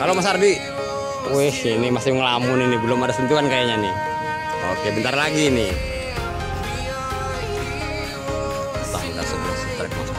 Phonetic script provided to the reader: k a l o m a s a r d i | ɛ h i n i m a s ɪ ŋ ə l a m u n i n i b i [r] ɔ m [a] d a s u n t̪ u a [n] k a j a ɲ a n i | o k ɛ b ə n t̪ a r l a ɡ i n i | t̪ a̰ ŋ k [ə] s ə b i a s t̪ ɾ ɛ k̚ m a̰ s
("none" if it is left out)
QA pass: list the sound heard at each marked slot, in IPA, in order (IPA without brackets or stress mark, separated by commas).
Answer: l, a, n, a